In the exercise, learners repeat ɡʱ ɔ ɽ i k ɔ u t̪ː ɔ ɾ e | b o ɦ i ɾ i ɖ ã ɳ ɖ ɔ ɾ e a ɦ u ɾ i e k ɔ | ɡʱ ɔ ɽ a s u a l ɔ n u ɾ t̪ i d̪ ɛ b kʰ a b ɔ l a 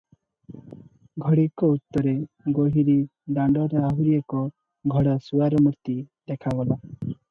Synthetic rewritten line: ɡʱ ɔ ɽ i k ɔ u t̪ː ɔ ɾ e | ɡ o ɦ i ɾ i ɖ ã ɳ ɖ ɔ ɾ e a ɦ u ɾ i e k ɔ | ɡʱ ɔ ɽ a s u a ɾ ɔ m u ɾ t̪ i d̪ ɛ kʰ a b ɔ l a